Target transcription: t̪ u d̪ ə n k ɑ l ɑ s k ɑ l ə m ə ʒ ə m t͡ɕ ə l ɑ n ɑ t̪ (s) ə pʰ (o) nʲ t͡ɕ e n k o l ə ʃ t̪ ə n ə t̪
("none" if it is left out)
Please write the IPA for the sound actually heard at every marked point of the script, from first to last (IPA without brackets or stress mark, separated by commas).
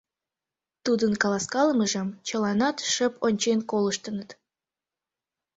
ʃ, o